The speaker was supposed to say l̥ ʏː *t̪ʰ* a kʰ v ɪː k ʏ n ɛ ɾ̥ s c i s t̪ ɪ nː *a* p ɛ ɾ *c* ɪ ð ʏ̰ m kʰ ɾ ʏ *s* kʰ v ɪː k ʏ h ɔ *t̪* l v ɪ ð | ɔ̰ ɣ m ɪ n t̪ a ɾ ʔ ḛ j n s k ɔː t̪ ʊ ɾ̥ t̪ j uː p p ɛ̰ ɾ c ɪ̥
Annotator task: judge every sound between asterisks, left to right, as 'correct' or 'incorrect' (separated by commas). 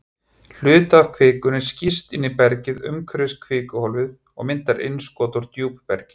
incorrect, incorrect, correct, correct, incorrect